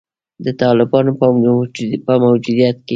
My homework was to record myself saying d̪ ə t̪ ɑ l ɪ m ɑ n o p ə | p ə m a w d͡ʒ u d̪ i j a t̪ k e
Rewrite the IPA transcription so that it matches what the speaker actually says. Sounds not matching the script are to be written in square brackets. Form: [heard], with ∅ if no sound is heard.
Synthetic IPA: d̪ ə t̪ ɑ l ɪ [b] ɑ n o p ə | p ə m a w d͡ʒ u d̪ i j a t̪ k e